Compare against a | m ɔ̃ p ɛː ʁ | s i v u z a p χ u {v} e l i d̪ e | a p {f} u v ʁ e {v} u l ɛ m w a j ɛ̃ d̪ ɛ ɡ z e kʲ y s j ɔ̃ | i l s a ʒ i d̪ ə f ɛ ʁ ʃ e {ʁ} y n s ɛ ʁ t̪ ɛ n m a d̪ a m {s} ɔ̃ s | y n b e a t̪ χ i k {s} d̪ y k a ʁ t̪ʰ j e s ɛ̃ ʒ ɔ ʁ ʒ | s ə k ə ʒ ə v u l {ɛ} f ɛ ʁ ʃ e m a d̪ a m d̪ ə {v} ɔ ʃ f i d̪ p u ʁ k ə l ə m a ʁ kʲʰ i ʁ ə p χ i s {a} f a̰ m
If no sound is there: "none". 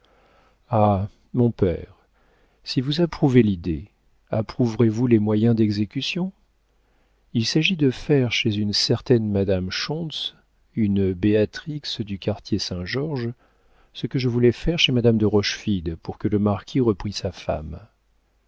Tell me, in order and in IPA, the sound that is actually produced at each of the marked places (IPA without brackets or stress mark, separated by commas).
v, χ, v, z, ʃ, s, ɛ, ʁ, a